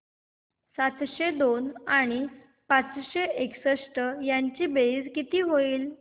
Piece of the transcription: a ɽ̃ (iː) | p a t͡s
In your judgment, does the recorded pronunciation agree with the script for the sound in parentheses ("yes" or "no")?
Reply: no